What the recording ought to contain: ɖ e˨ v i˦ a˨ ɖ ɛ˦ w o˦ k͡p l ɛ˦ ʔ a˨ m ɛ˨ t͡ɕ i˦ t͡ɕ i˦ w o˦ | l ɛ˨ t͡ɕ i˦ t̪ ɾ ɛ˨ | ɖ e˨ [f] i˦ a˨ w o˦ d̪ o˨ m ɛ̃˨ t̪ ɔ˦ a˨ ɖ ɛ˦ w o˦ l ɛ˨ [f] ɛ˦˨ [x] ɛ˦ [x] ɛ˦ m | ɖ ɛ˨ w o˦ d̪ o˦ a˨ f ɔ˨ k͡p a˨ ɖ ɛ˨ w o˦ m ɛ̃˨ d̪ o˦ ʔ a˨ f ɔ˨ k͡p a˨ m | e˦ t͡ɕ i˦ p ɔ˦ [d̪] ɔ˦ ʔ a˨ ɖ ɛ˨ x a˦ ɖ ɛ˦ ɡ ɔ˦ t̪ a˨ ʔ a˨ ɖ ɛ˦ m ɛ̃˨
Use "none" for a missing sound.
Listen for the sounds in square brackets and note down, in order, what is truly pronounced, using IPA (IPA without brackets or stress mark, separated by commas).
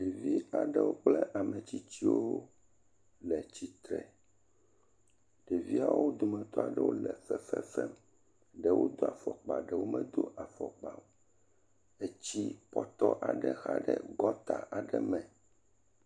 v, f, f, f, t̪